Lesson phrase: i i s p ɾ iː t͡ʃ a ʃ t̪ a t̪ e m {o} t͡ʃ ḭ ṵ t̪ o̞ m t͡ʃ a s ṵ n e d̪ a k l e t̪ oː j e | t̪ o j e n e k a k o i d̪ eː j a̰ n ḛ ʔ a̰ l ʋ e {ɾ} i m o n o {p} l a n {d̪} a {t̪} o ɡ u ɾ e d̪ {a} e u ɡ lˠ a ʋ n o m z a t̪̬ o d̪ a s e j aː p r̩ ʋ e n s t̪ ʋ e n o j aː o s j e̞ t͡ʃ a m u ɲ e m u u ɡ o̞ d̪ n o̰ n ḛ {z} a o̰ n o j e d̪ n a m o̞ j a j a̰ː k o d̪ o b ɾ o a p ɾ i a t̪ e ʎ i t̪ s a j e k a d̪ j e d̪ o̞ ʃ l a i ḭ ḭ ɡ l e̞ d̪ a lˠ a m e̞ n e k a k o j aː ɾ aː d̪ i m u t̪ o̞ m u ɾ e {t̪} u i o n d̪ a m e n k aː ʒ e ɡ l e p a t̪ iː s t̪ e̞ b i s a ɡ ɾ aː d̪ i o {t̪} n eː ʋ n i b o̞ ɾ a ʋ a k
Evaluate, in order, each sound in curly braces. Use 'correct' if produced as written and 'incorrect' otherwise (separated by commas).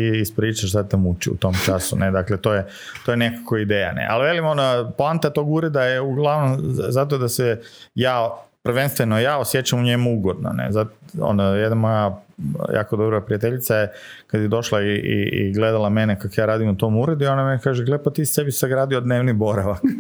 incorrect, incorrect, correct, incorrect, correct, correct, correct, incorrect, incorrect